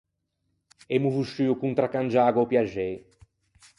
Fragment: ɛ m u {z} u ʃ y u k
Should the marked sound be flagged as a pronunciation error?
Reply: yes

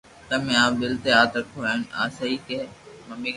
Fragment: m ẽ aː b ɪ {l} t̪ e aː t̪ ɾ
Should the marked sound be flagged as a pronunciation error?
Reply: no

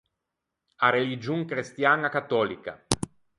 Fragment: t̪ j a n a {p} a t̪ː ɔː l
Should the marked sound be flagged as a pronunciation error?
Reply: yes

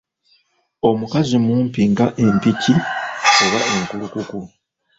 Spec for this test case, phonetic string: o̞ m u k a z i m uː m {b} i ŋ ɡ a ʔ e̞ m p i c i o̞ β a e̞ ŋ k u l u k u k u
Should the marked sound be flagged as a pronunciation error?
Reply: yes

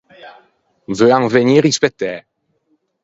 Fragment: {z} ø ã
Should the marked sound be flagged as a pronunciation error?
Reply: yes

